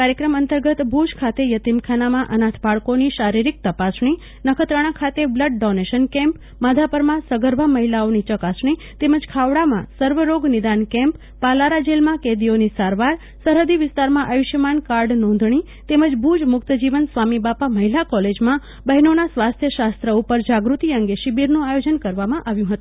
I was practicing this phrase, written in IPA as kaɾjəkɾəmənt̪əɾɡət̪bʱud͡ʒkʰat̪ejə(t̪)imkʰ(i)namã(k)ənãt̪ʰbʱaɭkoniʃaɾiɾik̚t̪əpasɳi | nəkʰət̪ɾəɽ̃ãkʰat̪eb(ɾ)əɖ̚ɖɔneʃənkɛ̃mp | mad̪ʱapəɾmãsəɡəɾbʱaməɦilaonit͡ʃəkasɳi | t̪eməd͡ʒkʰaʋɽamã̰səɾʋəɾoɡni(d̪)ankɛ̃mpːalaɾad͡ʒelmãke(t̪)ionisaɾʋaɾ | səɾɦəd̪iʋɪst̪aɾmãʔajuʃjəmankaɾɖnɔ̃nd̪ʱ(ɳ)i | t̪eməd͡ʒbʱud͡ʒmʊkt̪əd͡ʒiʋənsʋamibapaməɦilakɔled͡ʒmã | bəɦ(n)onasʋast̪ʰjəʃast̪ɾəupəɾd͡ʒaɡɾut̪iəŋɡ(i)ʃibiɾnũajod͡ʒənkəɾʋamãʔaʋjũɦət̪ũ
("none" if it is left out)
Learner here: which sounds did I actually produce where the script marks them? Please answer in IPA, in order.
t̪, a, ʔ, l, d̪, d̪, ɳ, n, e

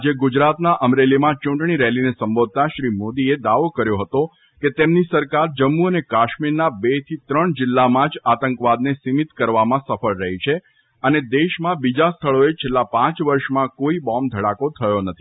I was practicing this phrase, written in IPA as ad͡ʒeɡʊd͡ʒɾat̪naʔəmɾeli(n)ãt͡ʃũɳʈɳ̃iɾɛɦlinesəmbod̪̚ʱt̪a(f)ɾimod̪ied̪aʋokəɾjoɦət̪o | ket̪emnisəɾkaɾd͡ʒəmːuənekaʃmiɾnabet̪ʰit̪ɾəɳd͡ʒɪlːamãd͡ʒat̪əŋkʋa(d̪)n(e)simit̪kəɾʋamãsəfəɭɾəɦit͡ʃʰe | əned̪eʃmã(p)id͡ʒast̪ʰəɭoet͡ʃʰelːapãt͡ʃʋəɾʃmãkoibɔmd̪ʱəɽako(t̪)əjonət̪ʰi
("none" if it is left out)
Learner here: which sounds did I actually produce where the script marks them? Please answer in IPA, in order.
m, ʃ, d̪, e, b, t̪ʰ

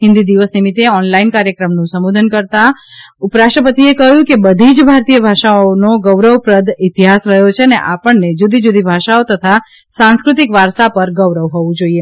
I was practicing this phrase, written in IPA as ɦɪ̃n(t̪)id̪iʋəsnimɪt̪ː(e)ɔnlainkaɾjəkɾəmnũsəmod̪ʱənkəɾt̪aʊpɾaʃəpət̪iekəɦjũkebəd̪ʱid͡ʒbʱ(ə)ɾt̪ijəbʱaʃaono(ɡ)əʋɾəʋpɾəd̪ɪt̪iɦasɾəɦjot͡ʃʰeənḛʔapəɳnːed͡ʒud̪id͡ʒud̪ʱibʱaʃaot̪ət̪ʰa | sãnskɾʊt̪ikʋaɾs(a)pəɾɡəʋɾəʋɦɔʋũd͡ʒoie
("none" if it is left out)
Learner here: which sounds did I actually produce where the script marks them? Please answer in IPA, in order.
d̪, e, a, ɡ, a

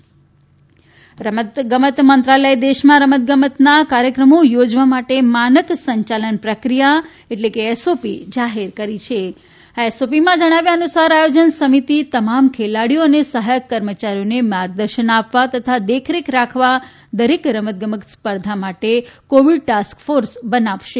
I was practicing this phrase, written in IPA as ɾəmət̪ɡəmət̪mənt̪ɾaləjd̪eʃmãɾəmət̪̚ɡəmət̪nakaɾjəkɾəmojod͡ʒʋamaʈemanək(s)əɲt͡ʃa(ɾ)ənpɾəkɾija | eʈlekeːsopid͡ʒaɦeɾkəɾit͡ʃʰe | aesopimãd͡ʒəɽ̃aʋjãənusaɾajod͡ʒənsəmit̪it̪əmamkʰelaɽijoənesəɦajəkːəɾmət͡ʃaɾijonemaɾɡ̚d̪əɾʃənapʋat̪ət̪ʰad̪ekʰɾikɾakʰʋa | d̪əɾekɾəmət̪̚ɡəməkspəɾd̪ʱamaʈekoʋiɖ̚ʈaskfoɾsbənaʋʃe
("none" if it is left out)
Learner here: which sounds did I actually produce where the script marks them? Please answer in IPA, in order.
s, l

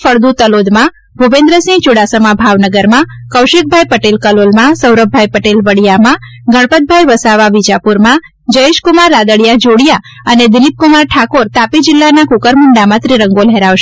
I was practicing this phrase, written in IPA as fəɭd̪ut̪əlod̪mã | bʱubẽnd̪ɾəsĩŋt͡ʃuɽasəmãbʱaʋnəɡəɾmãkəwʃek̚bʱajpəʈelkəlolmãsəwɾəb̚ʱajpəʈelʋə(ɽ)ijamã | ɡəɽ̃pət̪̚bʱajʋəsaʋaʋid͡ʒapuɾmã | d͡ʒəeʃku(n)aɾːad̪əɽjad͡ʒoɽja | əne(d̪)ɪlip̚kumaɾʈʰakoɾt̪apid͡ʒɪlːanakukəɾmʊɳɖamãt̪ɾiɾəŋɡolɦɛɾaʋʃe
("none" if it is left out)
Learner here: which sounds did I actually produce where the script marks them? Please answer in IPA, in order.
ɽ, m, d̪

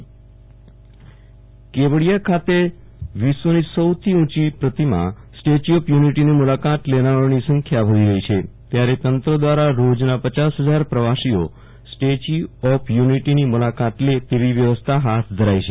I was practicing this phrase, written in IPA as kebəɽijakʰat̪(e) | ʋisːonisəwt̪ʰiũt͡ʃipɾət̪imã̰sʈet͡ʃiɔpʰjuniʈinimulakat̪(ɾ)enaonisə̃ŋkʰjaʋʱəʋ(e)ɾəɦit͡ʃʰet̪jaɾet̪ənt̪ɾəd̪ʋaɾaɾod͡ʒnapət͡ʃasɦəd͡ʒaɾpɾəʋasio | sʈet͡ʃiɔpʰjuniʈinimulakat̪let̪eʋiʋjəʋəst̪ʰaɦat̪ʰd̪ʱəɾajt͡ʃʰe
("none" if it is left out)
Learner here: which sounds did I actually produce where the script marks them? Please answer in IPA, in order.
e, l, i

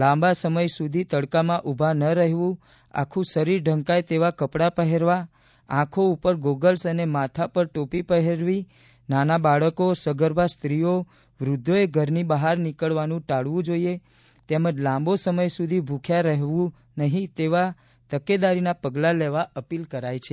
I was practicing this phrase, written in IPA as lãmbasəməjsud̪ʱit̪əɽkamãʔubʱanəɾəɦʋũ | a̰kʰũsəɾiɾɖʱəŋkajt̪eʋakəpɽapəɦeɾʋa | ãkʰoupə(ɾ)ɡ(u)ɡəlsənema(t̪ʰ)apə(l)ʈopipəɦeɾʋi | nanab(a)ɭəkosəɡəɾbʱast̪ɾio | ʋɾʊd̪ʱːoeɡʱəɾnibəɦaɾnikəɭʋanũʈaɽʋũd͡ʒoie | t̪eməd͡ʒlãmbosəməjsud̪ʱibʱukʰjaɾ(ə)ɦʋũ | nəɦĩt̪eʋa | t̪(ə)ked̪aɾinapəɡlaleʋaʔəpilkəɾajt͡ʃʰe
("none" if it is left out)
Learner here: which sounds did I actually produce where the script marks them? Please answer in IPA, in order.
ɾ, o, t̪ʰ, ɾ, a, ə, ə

